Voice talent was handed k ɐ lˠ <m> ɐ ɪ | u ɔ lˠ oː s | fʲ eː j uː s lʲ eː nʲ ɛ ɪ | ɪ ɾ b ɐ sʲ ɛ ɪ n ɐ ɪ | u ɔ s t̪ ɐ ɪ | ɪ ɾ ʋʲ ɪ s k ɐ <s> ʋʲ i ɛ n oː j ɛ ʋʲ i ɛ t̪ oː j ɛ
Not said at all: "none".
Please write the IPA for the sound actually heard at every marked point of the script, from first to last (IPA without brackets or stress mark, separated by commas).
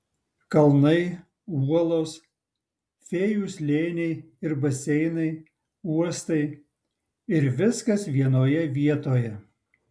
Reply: n, s